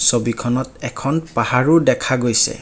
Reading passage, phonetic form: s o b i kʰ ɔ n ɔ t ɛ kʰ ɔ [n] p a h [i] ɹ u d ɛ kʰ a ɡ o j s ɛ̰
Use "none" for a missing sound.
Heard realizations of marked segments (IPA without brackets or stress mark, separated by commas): n, a